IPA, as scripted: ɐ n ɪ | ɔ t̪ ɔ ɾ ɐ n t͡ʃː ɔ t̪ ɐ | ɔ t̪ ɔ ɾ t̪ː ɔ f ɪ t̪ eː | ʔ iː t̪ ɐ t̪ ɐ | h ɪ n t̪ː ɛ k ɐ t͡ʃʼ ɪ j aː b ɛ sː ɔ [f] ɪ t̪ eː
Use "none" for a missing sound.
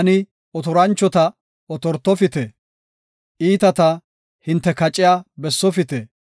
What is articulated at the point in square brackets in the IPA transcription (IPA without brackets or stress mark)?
f